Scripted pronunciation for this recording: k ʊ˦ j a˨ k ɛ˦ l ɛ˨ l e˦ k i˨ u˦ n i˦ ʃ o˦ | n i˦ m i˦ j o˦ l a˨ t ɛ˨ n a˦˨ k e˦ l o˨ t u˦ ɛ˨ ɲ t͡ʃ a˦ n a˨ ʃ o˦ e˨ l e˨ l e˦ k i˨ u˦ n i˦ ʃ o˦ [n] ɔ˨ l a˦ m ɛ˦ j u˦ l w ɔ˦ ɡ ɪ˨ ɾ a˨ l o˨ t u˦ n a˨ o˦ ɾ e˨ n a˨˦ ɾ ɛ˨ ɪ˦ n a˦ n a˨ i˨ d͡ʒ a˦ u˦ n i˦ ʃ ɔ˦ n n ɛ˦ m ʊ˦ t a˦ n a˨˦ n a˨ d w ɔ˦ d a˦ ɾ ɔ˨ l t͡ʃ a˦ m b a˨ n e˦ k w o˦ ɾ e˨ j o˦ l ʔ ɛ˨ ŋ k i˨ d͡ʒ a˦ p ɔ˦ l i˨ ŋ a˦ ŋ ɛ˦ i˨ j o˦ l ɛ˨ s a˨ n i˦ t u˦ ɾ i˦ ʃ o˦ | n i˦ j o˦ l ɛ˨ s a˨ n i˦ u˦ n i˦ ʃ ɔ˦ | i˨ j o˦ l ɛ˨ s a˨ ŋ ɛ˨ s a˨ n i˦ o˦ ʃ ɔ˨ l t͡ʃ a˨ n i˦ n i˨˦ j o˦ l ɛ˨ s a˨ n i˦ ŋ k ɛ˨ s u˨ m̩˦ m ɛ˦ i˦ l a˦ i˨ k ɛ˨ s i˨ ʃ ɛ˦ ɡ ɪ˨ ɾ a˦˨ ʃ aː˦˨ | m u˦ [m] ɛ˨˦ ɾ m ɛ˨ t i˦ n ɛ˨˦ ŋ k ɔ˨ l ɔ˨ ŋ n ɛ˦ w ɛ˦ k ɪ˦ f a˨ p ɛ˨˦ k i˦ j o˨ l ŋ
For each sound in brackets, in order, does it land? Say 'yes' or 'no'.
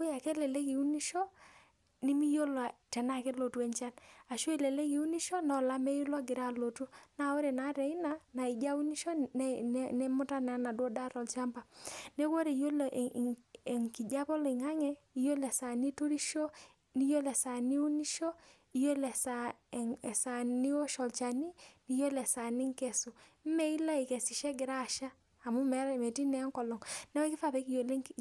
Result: yes, yes

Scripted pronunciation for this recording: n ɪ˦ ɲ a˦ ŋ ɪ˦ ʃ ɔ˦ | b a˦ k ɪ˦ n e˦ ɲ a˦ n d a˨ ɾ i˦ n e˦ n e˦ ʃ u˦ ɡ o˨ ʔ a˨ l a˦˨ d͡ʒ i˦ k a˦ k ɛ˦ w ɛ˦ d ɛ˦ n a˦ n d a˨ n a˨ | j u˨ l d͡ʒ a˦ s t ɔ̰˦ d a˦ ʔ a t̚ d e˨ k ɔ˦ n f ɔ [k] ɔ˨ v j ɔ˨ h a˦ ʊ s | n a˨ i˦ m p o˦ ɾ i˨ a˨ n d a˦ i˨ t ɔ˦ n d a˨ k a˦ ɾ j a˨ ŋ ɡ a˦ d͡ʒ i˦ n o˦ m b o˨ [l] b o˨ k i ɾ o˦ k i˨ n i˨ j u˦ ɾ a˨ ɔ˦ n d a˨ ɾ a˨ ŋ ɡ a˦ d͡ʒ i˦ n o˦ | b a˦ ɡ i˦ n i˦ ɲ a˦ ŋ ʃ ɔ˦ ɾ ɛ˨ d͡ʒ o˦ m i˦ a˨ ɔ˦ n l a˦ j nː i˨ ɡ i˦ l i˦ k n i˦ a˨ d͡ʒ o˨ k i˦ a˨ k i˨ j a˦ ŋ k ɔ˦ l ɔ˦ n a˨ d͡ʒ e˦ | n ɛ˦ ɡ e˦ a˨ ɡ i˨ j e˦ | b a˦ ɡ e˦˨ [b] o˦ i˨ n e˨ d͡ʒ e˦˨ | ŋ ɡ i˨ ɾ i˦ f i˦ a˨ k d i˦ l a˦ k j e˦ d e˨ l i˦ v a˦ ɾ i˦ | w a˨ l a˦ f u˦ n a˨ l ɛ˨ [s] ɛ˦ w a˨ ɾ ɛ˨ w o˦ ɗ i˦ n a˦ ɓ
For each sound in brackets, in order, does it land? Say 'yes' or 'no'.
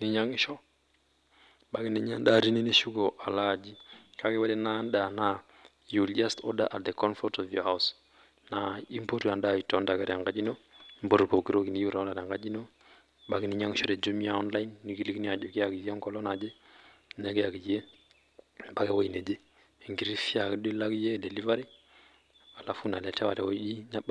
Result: no, no, no, no

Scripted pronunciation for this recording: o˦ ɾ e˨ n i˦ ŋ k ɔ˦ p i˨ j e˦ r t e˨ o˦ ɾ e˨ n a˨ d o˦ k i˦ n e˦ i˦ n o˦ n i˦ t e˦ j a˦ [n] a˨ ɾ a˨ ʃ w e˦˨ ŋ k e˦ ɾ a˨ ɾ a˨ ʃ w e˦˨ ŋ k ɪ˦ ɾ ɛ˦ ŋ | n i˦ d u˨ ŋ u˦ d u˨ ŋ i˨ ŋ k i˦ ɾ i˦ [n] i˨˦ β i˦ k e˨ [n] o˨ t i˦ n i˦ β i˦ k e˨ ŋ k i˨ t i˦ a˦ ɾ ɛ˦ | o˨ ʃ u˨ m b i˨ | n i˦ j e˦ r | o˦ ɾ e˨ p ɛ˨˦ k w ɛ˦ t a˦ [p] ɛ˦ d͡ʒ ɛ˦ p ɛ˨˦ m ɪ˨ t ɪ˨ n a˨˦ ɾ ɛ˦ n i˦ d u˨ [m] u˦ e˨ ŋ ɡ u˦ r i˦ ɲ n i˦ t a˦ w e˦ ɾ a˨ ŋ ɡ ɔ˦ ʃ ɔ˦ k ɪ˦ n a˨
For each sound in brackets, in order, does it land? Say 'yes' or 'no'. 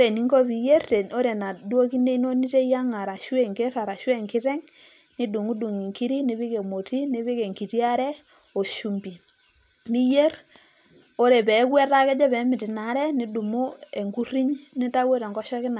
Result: no, yes, no, no, yes

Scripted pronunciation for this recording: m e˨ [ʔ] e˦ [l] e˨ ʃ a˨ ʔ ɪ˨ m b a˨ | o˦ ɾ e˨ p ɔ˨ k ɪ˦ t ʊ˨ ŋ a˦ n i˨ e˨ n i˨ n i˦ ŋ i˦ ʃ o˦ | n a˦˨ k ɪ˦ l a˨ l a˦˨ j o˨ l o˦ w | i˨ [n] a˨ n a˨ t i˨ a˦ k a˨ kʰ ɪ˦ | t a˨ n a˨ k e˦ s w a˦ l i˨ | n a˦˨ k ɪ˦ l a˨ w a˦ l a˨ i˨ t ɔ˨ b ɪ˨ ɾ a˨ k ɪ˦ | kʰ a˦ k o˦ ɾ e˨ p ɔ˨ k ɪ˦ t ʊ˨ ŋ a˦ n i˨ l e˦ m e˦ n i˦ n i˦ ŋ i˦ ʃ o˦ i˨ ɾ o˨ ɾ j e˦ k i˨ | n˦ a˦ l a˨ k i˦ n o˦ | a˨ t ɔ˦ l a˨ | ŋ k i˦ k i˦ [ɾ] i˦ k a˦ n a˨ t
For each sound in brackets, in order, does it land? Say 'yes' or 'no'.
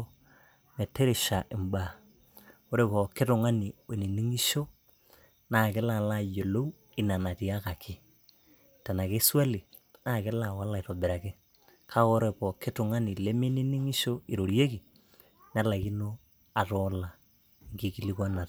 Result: no, no, yes, no

